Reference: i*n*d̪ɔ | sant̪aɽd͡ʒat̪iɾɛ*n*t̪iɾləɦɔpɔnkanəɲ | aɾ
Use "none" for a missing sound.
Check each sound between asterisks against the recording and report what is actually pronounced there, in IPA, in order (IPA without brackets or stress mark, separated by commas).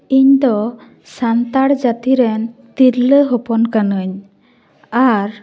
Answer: ɲ, n